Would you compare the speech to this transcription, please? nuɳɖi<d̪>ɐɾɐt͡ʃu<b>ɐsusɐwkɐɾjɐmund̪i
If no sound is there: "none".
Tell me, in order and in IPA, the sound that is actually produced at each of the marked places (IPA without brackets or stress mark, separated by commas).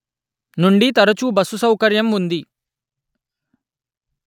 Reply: t̪, b